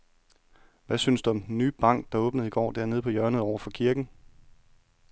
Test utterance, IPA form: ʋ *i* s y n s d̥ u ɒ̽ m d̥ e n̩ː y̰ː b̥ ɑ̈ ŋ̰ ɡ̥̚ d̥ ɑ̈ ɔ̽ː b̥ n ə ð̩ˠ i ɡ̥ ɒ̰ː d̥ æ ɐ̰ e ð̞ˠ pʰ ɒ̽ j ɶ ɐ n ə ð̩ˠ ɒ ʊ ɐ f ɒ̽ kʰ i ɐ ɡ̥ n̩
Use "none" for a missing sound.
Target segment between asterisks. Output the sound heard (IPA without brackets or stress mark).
æ